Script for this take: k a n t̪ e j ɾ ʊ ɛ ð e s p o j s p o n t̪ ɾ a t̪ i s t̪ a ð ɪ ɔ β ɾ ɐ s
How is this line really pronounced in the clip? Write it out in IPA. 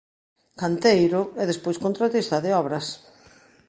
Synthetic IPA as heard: k a n t̪ e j ɾ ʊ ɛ ð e s p o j s k o n t̪ ɾ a t̪ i s t̪ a ð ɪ ɔ β ɾ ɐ s